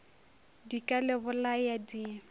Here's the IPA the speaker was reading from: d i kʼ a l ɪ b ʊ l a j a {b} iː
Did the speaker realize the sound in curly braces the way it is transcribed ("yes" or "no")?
no